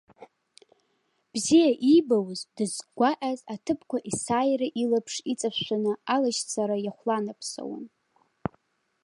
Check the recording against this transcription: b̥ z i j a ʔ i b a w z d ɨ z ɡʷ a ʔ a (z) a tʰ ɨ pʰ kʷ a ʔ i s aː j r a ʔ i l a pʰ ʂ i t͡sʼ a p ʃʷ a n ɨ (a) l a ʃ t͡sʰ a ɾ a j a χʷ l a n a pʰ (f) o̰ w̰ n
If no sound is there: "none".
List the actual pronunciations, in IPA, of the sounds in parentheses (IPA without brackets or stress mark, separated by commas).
z, a, s